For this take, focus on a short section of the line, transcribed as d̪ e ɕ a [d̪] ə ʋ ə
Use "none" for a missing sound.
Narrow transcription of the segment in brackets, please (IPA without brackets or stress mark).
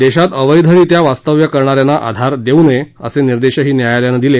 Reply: t̪